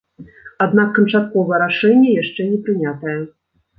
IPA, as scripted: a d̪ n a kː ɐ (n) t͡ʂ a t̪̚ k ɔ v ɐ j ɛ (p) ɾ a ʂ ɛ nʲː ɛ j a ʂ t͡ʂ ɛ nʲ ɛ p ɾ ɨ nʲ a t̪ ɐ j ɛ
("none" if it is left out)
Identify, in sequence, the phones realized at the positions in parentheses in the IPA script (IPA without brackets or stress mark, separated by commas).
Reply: n, none